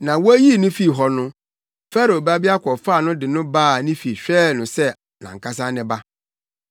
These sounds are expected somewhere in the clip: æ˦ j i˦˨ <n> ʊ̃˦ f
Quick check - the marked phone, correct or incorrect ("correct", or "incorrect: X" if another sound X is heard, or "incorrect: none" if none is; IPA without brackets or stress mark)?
correct